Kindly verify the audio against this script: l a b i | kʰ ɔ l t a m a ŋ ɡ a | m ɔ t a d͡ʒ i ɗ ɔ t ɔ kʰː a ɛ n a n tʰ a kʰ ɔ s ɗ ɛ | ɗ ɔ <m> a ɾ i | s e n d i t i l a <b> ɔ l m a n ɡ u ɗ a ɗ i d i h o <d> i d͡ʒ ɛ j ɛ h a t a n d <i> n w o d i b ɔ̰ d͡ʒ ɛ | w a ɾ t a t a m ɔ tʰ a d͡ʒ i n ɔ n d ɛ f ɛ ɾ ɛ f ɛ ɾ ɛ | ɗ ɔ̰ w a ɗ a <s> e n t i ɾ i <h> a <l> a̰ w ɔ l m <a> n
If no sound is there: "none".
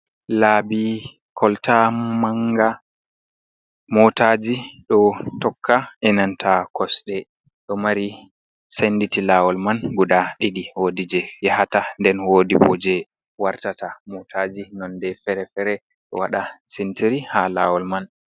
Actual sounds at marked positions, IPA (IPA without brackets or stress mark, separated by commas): m, w, d, ɛ, s, h, l, a